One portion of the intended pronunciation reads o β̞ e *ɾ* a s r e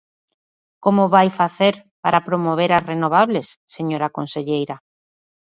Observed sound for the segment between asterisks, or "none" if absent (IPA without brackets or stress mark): ɾ